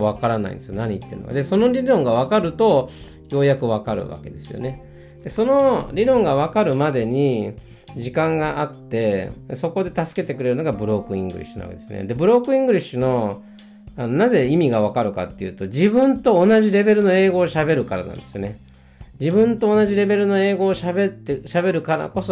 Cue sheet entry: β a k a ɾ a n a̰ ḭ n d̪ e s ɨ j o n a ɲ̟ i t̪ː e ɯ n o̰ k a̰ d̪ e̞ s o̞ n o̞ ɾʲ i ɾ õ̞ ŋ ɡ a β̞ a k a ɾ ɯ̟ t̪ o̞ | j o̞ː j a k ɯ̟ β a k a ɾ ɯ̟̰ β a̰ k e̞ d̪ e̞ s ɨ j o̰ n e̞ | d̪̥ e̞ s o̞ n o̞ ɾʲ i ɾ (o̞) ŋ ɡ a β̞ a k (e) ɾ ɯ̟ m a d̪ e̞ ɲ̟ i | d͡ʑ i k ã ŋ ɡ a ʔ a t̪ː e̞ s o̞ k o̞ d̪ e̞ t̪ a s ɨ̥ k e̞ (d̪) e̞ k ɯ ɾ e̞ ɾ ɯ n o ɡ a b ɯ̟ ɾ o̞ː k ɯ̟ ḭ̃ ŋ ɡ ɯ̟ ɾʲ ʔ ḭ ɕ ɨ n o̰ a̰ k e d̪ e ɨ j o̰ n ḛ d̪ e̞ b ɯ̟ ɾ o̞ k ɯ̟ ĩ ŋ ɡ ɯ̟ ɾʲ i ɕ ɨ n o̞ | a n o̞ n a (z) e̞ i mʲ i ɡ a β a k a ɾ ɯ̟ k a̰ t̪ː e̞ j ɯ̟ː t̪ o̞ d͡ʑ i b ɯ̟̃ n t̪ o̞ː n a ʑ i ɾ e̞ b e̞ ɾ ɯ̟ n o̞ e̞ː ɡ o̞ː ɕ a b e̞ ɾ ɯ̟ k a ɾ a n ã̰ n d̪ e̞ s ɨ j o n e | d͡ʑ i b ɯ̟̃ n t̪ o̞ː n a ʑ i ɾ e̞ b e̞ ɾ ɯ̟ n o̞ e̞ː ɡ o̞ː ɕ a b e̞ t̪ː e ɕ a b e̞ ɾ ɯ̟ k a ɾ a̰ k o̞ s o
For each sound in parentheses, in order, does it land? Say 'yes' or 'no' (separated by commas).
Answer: no, no, no, yes